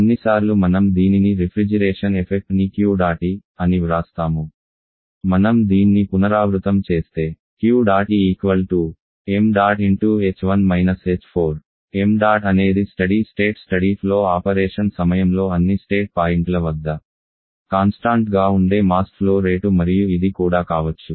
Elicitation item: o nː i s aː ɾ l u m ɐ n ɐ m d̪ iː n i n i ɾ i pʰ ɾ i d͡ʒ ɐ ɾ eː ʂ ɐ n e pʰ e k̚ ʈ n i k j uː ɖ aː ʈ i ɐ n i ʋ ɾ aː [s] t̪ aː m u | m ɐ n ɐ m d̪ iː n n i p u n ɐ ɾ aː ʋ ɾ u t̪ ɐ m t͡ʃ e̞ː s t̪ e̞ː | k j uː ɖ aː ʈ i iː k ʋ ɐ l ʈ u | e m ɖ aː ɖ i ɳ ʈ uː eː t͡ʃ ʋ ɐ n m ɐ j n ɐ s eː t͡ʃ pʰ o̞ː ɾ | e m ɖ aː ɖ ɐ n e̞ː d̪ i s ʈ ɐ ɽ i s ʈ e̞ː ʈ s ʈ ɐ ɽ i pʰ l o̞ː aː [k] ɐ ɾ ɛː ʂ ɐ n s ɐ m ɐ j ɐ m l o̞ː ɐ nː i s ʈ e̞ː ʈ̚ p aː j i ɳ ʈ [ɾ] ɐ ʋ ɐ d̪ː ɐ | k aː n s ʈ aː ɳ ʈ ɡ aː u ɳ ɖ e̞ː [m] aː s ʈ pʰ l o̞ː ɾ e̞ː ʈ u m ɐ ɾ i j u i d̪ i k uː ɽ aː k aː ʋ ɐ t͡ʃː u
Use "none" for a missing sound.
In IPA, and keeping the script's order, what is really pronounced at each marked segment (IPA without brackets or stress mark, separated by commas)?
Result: s, p, l, m